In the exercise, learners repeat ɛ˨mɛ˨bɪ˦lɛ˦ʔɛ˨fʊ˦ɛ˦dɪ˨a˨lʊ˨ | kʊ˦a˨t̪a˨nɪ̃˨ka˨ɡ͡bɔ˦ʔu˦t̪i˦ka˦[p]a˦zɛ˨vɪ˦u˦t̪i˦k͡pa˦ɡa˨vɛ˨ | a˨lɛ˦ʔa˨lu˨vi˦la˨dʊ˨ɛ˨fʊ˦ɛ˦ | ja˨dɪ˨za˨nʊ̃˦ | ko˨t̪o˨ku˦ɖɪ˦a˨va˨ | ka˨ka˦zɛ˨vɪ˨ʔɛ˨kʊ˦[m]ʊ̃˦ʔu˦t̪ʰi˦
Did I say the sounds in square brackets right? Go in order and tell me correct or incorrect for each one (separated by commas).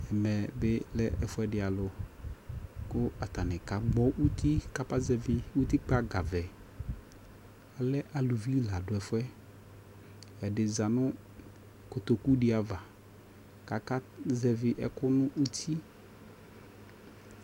correct, incorrect